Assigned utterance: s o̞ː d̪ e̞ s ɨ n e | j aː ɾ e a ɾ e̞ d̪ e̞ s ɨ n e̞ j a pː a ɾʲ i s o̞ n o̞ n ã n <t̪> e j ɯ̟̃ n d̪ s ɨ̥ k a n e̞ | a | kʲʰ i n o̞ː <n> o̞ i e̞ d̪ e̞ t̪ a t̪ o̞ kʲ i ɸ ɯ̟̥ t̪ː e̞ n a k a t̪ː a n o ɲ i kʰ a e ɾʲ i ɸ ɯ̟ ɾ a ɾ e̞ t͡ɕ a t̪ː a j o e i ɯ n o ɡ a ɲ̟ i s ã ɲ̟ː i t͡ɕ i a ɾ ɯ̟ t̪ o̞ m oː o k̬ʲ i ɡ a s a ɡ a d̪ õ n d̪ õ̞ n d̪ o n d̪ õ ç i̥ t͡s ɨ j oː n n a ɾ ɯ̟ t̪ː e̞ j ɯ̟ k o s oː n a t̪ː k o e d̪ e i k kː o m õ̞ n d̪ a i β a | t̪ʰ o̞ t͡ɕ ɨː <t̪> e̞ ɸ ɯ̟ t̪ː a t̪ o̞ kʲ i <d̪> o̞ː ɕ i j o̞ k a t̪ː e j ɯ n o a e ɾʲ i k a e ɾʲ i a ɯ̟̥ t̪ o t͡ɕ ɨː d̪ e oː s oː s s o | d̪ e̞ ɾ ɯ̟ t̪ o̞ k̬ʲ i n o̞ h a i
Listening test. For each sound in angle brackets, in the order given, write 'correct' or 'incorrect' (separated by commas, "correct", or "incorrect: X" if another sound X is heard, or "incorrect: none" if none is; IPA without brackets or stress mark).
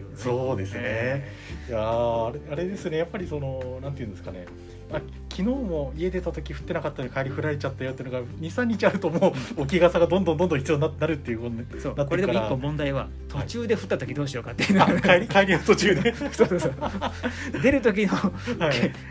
correct, incorrect: m, incorrect: d̪, correct